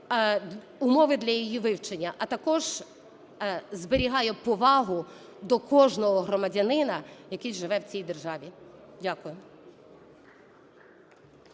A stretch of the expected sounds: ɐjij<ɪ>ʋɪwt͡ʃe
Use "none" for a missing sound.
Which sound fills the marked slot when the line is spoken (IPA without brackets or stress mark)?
i